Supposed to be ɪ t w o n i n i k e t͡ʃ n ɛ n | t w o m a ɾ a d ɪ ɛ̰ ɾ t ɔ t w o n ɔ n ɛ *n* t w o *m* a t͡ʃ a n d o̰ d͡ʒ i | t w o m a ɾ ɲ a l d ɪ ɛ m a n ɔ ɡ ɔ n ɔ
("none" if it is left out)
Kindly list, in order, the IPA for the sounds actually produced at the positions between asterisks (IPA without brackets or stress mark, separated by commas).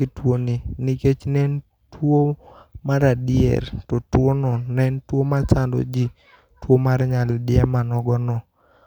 n, m